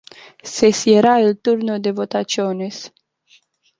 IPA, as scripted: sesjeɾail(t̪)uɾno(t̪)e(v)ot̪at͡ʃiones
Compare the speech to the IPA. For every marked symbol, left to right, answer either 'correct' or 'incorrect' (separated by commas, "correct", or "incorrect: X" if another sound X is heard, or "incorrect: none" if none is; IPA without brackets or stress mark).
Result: correct, incorrect: d̪, correct